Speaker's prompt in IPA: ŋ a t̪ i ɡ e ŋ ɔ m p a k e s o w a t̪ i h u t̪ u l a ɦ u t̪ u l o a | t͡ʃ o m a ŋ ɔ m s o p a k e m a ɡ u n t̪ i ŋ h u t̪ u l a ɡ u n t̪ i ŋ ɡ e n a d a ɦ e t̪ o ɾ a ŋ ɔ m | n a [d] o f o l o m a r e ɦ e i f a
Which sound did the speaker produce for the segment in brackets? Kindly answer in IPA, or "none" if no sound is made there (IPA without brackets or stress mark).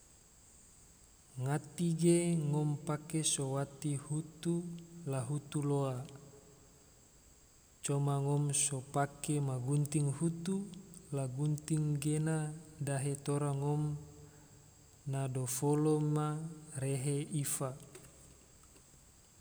d